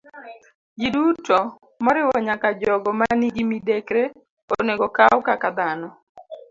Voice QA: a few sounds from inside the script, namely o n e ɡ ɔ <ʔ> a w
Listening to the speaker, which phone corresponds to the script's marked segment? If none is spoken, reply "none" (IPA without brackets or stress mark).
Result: k